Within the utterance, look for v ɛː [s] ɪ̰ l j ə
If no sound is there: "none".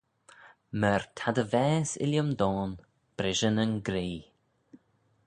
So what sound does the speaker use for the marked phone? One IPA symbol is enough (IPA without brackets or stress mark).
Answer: s